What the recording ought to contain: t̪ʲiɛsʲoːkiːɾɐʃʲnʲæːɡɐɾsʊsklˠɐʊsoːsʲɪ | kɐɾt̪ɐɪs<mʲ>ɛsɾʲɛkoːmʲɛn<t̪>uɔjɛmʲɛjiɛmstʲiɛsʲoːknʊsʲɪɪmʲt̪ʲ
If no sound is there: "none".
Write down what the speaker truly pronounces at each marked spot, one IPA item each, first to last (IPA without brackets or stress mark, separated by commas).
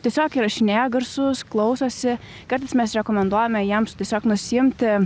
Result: mʲ, d̪